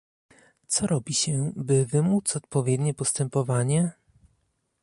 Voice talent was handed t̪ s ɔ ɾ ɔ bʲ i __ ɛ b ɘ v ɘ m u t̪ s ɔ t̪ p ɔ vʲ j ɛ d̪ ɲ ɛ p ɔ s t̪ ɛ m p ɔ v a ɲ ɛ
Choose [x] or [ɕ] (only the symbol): ɕ